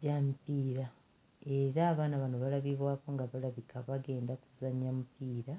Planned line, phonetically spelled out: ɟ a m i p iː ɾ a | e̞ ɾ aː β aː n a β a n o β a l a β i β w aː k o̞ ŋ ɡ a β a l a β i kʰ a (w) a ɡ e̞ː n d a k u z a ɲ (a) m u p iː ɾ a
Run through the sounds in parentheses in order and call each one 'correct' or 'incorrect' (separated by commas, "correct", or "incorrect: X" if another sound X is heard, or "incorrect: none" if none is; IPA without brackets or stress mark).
incorrect: β, correct